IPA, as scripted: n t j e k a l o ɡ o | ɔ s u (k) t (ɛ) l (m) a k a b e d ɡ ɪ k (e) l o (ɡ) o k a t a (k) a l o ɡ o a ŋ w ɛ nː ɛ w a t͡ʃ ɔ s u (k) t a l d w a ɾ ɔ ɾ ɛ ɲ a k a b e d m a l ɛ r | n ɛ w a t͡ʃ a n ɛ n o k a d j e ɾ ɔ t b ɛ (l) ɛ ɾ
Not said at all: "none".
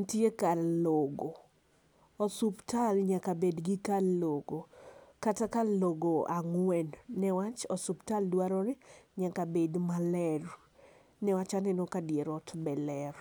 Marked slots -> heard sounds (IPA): p, a, ɲ, a, ɡ, k, p, l

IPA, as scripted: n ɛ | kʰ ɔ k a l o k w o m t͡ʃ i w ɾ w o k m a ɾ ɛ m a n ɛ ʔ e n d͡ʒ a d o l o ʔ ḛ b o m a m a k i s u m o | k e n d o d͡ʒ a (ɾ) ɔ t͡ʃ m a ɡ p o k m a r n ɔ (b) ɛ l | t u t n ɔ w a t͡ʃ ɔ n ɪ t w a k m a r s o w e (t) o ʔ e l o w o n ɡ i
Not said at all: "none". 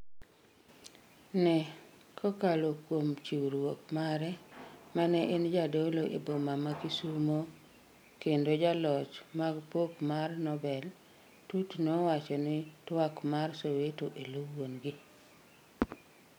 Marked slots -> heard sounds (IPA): l, b, t

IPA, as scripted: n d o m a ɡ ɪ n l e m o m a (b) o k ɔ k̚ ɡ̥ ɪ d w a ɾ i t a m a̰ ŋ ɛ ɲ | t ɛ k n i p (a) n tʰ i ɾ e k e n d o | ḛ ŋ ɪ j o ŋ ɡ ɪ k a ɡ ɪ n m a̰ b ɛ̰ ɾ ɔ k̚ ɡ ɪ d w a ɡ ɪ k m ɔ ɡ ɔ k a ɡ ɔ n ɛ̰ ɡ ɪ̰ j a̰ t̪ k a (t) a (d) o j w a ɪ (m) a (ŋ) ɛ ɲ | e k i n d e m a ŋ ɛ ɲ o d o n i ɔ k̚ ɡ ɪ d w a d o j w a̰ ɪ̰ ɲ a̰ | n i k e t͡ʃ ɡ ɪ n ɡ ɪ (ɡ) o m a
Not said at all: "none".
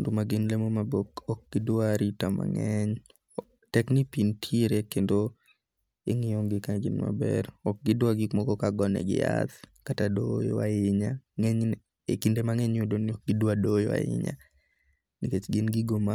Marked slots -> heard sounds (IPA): b, i, t, d, ɲ, ŋ, ɡ

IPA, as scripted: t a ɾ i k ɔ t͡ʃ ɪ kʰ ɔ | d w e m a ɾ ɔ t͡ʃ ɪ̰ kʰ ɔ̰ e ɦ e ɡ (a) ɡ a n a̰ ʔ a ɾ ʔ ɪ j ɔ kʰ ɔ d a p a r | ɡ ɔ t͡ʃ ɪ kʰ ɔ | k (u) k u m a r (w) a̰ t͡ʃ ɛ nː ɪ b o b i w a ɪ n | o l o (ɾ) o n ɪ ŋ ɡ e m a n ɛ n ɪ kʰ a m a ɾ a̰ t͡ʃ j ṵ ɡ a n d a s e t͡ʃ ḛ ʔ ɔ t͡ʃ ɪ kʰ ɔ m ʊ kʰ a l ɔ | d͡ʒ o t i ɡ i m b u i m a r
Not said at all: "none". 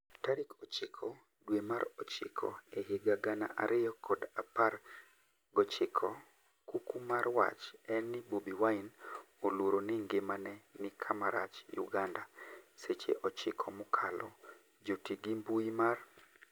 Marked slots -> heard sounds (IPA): a, u, w, ɾ

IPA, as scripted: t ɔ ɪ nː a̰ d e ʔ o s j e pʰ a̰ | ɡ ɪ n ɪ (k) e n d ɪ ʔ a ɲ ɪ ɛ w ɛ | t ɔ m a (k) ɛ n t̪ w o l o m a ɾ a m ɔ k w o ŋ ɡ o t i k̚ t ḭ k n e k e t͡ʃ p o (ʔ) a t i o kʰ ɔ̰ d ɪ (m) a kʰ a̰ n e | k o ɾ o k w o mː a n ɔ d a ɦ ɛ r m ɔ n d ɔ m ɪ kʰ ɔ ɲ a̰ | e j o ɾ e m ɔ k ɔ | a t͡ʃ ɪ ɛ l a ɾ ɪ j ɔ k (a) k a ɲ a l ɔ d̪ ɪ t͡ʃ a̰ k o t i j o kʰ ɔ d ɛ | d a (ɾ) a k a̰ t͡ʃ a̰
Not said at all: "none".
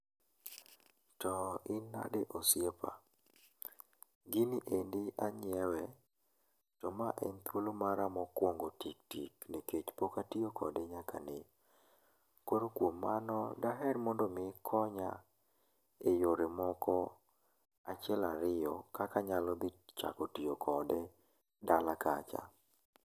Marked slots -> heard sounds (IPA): ʔ, ʔ, k, ɲ, a, l

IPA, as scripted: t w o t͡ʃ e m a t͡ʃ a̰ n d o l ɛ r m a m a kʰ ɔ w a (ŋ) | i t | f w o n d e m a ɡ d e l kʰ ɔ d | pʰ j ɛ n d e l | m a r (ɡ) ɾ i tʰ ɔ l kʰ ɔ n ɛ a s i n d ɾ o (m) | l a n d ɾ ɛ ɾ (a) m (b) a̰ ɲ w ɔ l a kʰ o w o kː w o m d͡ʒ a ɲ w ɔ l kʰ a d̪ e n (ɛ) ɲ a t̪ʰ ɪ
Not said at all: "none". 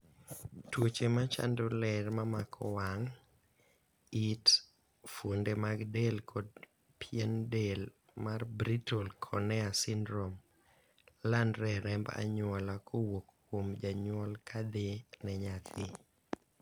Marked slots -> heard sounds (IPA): ŋ, b, m, ɛ, b, ɛ

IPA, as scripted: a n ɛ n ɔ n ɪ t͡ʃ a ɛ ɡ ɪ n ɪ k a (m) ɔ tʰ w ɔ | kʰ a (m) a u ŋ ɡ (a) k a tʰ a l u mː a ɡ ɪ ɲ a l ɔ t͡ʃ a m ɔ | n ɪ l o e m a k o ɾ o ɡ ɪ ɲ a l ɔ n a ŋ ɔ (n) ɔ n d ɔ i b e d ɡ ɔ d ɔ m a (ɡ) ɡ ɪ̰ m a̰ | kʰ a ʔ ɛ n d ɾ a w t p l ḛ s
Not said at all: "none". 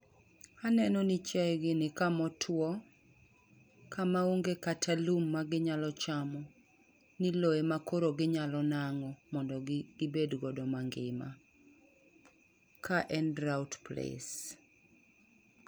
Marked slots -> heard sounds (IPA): m, m, e, m, ŋ

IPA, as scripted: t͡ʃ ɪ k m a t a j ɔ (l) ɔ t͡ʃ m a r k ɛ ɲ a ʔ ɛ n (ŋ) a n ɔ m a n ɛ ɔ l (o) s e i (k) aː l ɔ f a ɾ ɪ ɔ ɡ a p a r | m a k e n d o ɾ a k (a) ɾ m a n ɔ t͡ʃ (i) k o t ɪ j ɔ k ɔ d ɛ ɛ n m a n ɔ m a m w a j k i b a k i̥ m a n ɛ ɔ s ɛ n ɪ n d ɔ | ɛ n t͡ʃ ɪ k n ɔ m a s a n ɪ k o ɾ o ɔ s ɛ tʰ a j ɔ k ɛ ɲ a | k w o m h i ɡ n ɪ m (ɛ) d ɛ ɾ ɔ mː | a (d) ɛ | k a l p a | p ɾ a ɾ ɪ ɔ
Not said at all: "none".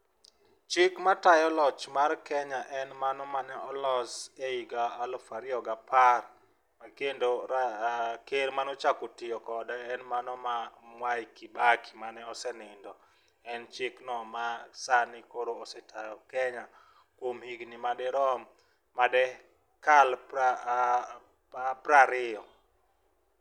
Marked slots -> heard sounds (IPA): l, m, ɔ, ɡ, e, a, a, d

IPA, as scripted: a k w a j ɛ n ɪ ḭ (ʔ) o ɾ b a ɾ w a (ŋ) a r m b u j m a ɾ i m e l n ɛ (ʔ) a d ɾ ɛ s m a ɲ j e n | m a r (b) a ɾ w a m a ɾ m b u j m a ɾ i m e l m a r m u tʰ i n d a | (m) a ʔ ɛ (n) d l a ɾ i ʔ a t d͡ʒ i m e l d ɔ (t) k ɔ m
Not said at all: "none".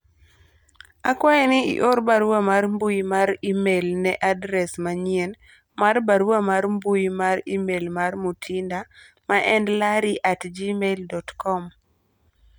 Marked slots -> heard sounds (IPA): ʔ, m, ʔ, b, m, n, t

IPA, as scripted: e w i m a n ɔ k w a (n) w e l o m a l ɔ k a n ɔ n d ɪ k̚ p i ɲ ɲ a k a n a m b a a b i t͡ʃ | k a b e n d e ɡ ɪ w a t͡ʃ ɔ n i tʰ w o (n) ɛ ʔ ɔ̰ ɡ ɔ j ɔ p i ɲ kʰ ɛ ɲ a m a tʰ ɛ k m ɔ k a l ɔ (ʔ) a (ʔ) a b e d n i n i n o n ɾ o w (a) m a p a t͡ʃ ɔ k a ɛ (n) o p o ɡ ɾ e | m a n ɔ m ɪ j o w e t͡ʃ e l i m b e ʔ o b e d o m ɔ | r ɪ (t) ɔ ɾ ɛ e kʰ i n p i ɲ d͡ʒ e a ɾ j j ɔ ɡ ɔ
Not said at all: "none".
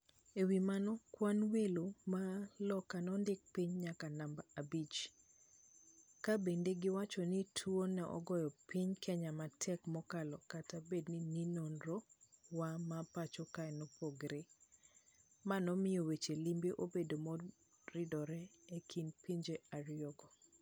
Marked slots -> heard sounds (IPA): n, n, k, t, a, n, d

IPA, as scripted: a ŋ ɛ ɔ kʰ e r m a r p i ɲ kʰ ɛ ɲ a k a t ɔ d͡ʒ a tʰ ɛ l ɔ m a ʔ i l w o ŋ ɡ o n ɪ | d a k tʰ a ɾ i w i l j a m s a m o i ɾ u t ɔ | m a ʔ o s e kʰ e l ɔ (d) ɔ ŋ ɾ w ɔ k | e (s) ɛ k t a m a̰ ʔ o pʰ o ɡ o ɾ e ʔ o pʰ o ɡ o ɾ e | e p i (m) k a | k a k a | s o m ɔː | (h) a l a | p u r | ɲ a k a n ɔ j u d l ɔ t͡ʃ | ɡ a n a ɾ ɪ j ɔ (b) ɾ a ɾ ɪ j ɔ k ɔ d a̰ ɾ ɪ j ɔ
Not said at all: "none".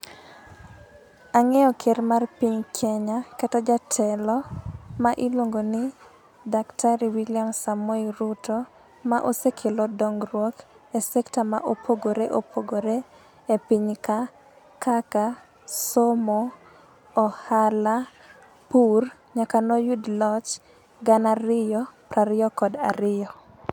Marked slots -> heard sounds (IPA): d, s, ɲ, h, p

